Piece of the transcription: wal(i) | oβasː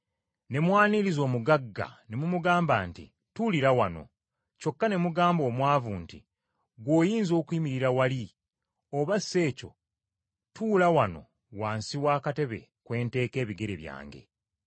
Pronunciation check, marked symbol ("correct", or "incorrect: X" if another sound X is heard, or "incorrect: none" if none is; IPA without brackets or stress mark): correct